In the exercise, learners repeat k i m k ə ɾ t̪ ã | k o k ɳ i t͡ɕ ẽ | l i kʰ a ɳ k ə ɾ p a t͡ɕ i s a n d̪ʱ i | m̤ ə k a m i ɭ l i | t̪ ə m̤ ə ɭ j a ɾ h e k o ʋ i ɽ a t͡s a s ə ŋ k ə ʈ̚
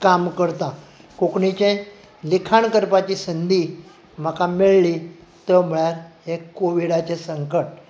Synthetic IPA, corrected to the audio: k a m k ə ɾ t̪ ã | k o k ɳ i t͡ɕ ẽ | l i kʰ a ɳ k ə ɾ p a t͡ɕ i s ə n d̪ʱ i | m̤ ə k a m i ɭ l i | t̪ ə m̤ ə ɭ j a ɾ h e k o ʋ i ɽ a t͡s e s ə ŋ k ə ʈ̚